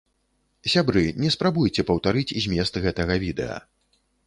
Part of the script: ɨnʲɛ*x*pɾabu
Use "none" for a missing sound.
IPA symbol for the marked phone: s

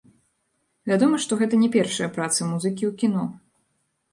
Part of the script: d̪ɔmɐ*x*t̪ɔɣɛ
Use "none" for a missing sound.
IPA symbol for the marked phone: ʂ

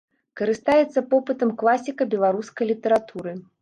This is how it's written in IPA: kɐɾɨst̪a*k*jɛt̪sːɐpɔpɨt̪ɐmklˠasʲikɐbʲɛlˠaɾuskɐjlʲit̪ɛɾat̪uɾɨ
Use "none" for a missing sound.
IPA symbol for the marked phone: none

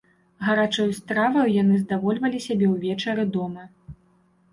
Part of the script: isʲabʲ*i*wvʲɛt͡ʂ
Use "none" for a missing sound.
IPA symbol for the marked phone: ɛ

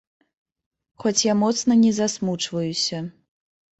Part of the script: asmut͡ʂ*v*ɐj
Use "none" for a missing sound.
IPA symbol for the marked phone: v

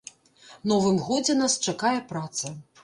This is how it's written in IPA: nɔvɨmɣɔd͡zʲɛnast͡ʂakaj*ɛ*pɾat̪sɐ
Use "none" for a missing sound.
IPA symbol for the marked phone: ɛ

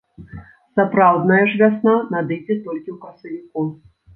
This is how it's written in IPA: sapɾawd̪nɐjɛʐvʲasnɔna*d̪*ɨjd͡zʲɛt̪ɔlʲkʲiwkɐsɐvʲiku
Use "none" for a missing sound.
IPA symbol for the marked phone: d̪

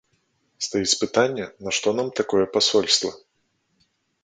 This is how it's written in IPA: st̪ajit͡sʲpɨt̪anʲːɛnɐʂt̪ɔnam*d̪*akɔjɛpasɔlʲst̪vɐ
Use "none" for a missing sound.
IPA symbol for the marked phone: t̪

